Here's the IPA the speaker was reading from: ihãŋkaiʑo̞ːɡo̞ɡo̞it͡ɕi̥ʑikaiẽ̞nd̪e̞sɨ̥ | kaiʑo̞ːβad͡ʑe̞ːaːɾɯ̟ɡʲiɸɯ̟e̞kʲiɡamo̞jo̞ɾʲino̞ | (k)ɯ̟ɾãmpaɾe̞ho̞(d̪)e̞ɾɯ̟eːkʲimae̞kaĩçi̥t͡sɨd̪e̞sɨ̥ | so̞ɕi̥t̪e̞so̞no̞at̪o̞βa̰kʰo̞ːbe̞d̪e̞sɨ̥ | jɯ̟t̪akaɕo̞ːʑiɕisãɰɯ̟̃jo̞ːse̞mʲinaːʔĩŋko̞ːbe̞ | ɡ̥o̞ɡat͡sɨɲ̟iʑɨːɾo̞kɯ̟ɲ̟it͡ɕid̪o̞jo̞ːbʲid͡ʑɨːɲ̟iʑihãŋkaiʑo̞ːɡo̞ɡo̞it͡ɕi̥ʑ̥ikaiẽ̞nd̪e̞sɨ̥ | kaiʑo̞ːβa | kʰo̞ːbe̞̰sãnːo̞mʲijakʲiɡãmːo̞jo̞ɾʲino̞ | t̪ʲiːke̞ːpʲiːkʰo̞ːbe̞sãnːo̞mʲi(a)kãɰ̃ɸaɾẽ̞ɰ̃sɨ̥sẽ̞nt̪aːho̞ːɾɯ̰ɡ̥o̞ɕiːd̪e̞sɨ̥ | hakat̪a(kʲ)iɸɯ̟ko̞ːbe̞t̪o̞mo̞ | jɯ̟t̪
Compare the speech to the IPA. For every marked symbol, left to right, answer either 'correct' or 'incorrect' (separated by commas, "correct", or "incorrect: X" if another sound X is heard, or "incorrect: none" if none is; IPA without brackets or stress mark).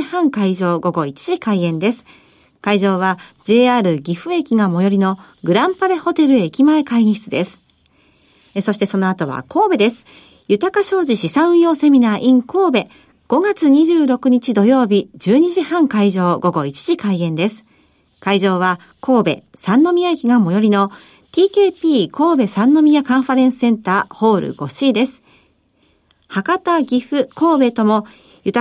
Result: incorrect: ɡ, incorrect: t̪, correct, incorrect: ɡʲ